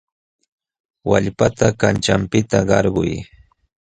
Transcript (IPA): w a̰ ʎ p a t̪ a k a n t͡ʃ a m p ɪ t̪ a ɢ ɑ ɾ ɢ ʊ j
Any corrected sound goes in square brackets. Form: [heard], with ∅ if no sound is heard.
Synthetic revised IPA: w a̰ ʎ p a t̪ a k a n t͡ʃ a m p ɪ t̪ a ɢ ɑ ɾ ɢ ʊ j

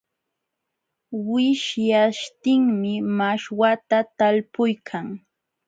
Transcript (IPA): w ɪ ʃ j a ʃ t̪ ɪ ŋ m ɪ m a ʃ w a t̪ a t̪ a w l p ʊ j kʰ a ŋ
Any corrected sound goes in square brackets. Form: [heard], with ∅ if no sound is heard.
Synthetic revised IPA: w ɪ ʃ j a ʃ t̪ ɪ ŋ m ɪ m a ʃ w a t̪ a t̪ a [∅] l p ʊ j kʰ a ŋ

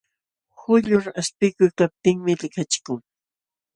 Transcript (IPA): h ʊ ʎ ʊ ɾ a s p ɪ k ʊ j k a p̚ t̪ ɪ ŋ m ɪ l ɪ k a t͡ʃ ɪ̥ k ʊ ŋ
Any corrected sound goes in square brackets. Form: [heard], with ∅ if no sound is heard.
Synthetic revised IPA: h ʊ ʎ ʊ ɾ a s p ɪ k ʊ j k a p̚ t̪ ɪ ŋ m ɪ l ɪ k a t͡ʃ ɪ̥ k ʊ ŋ

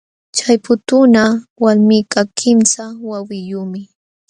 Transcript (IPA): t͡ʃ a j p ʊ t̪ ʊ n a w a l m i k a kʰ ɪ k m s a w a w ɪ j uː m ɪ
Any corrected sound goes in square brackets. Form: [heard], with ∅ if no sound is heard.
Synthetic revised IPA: t͡ʃ a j p ʊ t̪ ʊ n a w a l m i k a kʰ ɪ [∅] m s a w a w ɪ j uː m ɪ

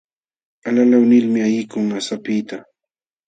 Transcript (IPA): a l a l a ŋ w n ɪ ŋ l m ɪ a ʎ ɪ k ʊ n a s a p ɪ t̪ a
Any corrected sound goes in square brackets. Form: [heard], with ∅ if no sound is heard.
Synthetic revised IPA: a l a l a [∅] w n ɪ [∅] l m ɪ a [j] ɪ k ʊ [ŋ] a s a p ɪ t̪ a

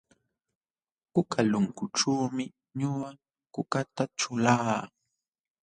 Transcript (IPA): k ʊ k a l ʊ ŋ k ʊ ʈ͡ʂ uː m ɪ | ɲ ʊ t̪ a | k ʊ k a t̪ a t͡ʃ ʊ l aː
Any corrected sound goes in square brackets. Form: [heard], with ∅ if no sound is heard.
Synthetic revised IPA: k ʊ k a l ʊ ŋ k ʊ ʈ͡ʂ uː m ɪ | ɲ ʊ [∅] a | k ʊ k a t̪ a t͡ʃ ʊ l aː

